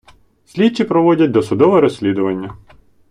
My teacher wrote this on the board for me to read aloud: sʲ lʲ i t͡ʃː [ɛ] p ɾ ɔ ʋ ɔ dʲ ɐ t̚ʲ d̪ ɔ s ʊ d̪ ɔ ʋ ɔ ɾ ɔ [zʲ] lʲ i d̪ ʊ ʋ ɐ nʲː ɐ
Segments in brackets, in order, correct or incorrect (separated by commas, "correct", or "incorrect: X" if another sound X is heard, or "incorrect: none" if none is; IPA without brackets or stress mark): incorrect: i, incorrect: sʲ